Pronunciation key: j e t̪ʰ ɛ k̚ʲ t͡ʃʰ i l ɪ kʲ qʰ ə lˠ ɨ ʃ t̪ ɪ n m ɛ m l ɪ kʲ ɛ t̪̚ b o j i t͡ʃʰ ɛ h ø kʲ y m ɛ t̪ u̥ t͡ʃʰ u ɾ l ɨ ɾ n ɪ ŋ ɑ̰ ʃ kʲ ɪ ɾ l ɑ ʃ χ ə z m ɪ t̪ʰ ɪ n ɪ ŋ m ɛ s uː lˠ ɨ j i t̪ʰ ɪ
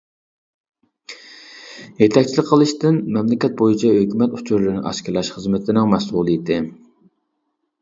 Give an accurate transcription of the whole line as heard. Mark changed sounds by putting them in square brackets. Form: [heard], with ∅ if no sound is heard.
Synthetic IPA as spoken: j e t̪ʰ ɛ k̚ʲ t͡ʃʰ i l ɪ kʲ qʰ ə lˠ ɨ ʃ t̪ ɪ n m ɛ m l ɪ kʲ ɛ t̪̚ b o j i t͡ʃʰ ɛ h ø kʲ y m ɛ t̪ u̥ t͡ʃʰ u ɾ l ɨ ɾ n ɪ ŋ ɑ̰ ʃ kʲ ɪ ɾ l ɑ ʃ χ ə z m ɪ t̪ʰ ɪ n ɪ ŋ m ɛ s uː lˠ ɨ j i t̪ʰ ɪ